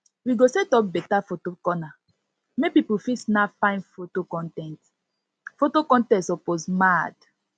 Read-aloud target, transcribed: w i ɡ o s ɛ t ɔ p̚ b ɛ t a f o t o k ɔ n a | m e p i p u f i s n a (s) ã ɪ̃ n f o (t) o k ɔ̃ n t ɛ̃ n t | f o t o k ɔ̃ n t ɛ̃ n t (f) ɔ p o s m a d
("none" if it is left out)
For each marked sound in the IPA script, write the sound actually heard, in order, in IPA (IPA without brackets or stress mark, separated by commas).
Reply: f, t, s